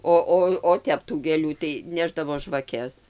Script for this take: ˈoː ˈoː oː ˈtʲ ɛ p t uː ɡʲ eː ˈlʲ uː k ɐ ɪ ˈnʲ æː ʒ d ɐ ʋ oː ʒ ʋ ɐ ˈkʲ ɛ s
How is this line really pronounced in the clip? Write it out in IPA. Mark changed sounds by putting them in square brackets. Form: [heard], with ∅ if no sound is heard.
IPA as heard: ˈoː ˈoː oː ˈtʲ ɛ p t uː ɡʲ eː ˈlʲ uː [t] ɐ ɪ ˈnʲ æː ʒ d ɐ ʋ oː ʒ ʋ ɐ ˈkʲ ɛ s